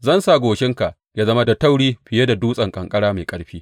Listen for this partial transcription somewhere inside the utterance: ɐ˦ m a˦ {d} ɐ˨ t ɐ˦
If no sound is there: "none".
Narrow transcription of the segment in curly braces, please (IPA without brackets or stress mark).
d